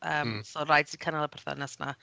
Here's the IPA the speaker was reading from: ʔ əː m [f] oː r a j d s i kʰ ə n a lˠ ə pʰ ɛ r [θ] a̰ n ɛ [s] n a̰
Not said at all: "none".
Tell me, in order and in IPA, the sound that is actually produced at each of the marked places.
s, θ, s

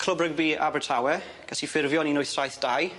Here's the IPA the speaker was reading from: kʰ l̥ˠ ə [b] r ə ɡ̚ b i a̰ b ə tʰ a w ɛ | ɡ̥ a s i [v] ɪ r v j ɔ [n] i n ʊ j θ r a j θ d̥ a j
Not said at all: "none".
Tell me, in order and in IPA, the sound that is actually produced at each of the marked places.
b, f, n

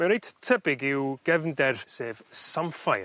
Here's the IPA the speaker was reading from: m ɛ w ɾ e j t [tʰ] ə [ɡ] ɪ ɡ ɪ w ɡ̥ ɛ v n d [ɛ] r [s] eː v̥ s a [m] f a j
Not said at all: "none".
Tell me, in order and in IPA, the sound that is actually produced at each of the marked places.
tʰ, b, ɛ, s, m

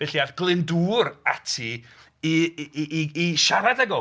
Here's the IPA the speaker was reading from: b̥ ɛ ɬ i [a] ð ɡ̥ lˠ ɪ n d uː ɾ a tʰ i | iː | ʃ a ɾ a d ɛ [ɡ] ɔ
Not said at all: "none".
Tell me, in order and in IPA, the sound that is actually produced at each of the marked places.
a, ɡ

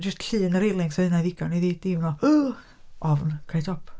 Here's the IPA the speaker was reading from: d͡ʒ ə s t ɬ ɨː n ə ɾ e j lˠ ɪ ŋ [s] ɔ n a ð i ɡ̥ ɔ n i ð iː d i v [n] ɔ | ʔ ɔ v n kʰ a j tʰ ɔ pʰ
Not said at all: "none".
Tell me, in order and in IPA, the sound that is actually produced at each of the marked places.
s, n

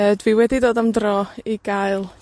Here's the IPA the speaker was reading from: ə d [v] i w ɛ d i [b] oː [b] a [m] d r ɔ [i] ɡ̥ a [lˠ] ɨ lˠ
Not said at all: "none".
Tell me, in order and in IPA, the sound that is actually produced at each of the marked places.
v, d, d, m, i, none

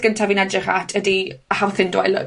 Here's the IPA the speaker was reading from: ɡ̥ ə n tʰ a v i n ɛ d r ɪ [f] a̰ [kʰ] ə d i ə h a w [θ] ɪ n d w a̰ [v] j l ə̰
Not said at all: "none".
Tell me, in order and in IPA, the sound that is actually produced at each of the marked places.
χ, tʰ, θ, none

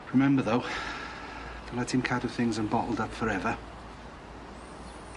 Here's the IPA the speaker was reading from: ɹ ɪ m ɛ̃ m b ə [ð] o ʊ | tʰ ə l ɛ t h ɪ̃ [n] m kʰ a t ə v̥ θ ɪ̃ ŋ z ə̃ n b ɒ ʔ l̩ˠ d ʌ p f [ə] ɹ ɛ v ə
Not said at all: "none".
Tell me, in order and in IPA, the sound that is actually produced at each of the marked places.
ð, none, ə

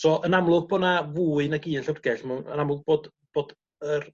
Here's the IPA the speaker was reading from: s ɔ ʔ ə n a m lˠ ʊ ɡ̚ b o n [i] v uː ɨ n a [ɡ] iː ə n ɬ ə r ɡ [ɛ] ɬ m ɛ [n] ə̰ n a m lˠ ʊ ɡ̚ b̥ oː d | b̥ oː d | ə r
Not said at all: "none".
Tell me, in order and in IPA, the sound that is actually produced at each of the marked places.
a, ɡ, ɛ, n

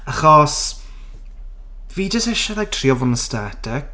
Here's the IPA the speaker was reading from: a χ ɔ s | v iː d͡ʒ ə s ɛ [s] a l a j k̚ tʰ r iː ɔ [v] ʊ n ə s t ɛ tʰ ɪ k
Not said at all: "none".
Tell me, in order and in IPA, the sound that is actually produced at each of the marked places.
ʃ, v

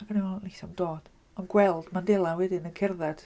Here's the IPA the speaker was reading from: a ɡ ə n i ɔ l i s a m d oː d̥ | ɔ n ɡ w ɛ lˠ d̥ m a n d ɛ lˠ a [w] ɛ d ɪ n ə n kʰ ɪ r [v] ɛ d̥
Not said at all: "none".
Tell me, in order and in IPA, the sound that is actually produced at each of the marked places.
w, ð

